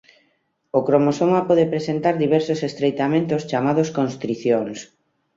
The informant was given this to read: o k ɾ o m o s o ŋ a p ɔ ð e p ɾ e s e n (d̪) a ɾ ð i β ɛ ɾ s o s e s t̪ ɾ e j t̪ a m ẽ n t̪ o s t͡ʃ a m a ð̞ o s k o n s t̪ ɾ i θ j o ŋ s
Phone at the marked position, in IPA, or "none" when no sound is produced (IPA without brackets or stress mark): t̪